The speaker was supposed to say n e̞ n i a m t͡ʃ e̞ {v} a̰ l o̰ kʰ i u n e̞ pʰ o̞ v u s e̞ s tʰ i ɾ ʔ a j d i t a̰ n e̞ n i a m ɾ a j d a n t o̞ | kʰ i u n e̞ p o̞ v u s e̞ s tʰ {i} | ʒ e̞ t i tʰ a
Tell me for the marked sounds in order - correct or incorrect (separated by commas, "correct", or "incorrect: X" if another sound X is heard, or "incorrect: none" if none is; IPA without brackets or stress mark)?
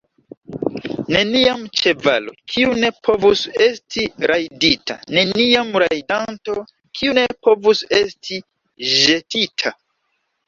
correct, correct